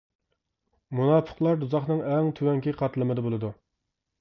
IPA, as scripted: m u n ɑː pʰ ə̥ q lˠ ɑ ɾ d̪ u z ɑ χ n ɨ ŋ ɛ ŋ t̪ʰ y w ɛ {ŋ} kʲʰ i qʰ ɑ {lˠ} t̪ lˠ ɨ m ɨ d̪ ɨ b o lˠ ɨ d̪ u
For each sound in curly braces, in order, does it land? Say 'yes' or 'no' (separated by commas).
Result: yes, no